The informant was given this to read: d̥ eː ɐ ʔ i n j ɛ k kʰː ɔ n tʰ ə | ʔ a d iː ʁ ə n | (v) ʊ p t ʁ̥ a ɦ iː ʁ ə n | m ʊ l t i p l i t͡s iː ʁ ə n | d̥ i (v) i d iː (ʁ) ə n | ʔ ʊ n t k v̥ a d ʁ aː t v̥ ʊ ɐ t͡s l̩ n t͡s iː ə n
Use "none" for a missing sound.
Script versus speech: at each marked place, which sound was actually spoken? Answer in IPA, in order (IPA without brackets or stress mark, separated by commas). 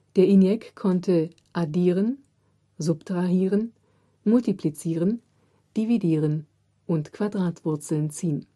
z, v, ʁ